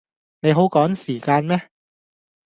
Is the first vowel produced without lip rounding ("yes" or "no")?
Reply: yes